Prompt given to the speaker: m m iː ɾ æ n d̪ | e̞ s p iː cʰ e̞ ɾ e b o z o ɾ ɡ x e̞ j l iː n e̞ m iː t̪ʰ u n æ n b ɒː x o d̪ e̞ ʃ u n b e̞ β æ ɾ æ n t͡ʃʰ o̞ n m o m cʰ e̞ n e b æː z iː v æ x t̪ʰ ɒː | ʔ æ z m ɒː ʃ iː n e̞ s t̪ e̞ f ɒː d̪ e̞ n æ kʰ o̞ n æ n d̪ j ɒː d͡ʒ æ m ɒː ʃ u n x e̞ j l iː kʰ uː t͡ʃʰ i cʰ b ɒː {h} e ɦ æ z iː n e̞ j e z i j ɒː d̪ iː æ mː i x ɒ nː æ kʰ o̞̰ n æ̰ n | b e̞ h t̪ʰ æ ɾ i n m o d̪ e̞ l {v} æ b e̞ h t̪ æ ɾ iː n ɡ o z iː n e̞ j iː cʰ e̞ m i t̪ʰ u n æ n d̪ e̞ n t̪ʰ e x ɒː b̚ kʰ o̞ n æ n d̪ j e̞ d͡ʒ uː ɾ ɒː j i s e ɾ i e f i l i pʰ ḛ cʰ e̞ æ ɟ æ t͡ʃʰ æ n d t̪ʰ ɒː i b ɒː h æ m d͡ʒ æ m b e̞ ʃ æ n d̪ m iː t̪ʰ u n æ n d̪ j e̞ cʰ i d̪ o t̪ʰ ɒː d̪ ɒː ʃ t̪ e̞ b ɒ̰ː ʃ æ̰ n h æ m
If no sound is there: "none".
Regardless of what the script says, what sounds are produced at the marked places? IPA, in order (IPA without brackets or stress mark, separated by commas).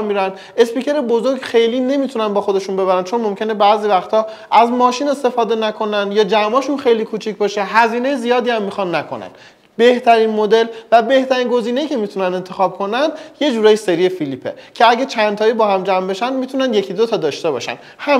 ʃ, v